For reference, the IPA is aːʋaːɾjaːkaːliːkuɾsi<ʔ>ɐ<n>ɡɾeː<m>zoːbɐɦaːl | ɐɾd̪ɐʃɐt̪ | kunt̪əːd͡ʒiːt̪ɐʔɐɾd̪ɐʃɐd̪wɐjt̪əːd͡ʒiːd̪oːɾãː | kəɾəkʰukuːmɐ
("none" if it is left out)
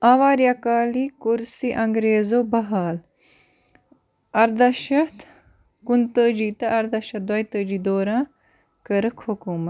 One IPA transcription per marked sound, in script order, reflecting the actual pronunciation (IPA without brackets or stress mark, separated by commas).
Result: ʔ, ŋ, none